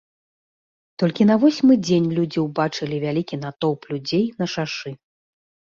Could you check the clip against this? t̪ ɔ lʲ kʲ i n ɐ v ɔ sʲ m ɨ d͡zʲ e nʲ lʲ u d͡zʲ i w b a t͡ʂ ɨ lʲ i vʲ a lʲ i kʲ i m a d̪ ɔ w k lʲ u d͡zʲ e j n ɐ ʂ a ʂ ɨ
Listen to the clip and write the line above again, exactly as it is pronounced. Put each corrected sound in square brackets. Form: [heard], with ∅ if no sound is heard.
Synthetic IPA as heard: t̪ ɔ lʲ kʲ i n ɐ v ɔ sʲ m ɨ d͡zʲ e nʲ lʲ u d͡zʲ i w b a t͡ʂ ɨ lʲ i vʲ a lʲ i kʲ i [n] a [t̪] ɔ w [p] lʲ u d͡zʲ e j n ɐ ʂ a ʂ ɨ

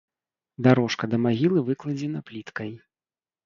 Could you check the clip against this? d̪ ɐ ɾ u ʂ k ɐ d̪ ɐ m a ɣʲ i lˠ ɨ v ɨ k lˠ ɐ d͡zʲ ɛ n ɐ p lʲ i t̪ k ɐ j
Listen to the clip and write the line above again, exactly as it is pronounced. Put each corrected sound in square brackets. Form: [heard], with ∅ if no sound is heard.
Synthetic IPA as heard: d̪ [a] ɾ [ɔ] ʂ k ɐ d̪ ɐ m a ɣʲ i lˠ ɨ v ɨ k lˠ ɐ d͡zʲ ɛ n ɐ p lʲ i t̪ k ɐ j

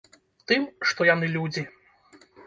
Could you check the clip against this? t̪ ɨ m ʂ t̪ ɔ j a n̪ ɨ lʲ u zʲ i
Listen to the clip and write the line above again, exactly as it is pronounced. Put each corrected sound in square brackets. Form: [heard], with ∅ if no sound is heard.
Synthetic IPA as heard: t̪ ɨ m ʂ t̪ ɔ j a n̪ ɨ lʲ u [d͡zʲ] i

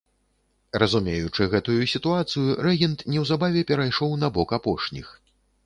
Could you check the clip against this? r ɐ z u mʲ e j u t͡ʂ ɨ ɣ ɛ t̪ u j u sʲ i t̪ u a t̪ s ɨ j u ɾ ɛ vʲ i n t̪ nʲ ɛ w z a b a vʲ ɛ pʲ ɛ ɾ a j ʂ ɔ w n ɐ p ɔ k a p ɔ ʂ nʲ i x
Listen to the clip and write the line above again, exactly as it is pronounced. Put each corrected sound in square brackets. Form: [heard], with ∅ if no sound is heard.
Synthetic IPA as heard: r ɐ z u mʲ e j u t͡ʂ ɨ ɣ ɛ t̪ u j u sʲ i t̪ u a t̪ s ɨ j u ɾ ɛ [ɣʲ] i n t̪ nʲ ɛ w z a b a vʲ ɛ pʲ ɛ ɾ a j ʂ ɔ w n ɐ [b] ɔ k a p ɔ ʂ nʲ i x

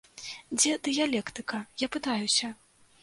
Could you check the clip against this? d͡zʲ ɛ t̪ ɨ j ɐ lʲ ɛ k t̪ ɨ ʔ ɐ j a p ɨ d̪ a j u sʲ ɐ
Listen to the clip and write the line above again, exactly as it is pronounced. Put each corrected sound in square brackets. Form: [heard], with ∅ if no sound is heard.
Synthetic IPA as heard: d͡zʲ ɛ [d̪] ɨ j [a] lʲ ɛ k t̪ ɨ [k] ɐ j a p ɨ [t̪] a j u sʲ ɐ

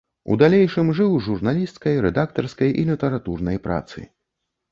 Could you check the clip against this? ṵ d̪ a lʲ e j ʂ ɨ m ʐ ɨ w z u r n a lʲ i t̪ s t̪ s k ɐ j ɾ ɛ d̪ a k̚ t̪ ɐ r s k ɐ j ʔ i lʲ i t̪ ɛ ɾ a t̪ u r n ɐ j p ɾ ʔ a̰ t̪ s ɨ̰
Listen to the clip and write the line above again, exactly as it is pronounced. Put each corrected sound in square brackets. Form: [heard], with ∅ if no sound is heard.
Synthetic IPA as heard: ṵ d̪ a lʲ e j ʂ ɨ m ʐ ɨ w [ʐ] u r n a lʲ i [∅] s t̪ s k ɐ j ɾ ɛ d̪ a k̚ t̪ ɐ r s k ɐ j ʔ i lʲ i t̪ ɛ ɾ a t̪ u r n ɐ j p ɾ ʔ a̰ t̪ s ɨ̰

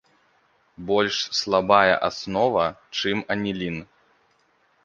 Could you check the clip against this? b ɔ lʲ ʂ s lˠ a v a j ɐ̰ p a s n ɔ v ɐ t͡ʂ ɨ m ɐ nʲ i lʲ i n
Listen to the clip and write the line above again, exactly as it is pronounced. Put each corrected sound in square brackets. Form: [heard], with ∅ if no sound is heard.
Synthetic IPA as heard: b ɔ lʲ ʂ s lˠ a [b] a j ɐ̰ [ʔ] a s n ɔ v ɐ t͡ʂ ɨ m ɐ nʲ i lʲ i n

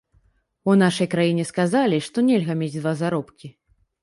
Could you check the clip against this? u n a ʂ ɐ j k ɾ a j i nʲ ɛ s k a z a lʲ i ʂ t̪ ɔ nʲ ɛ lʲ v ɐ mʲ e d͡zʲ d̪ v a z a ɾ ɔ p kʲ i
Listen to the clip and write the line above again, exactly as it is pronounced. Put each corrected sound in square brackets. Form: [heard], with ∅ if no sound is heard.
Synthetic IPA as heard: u n a ʂ ɐ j k ɾ a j i nʲ ɛ s k a z a lʲ i ʂ t̪ ɔ nʲ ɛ lʲ [ɣ] ɐ mʲ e d͡zʲ d̪ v a z a ɾ ɔ p kʲ i

